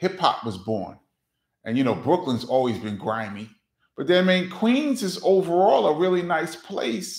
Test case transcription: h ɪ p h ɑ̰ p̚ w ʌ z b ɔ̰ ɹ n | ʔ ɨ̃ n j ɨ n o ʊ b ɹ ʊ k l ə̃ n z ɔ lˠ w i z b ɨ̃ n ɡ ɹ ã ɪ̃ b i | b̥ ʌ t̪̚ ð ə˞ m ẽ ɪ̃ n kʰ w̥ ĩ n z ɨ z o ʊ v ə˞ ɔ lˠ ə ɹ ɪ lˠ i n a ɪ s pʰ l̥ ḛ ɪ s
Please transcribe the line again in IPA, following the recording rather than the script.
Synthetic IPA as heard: h ɪ p h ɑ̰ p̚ w ʌ z b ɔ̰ ɹ n | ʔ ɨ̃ n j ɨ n o ʊ b ɹ ʊ k l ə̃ n z ɔ lˠ w i z b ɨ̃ n ɡ ɹ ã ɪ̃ m i | b̥ ʌ t̪̚ ð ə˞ m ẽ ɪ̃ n kʰ w̥ ĩ n z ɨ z o ʊ v ə˞ ɔ lˠ ə ɹ ɪ lˠ i n a ɪ s pʰ l̥ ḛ ɪ s